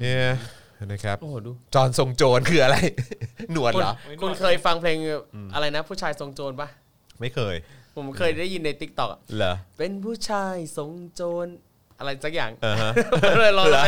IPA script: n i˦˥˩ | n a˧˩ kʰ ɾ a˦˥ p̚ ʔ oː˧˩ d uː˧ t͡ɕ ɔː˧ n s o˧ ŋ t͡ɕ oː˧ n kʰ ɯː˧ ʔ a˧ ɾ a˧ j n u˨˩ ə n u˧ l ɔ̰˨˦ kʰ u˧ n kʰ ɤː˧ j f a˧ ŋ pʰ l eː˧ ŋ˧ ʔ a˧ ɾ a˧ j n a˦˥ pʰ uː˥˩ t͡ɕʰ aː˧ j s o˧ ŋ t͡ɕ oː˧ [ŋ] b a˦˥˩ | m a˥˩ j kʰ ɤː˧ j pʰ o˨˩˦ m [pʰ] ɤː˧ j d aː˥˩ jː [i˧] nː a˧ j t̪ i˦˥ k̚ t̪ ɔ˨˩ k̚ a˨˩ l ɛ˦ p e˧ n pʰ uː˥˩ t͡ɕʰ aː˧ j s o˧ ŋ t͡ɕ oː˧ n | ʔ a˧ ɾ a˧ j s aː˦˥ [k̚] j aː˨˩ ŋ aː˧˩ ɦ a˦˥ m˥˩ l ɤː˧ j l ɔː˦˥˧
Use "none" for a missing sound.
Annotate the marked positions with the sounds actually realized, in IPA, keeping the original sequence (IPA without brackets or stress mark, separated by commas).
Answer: n, kʰ, i˧, k̚